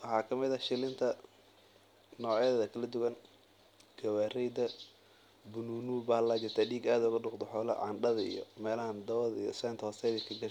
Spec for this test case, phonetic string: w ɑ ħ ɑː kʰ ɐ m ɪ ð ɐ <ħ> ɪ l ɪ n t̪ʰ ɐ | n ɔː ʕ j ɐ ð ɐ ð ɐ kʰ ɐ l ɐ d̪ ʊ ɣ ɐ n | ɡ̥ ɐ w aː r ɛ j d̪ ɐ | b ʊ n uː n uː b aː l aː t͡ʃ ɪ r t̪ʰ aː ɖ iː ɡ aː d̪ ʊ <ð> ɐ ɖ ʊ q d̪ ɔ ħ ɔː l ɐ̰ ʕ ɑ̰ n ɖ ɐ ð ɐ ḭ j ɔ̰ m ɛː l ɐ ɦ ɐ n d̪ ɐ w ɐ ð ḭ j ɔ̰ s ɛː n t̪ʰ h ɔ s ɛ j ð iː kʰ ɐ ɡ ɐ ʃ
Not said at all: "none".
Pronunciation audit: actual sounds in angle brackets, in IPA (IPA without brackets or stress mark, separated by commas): ʃ, ɣ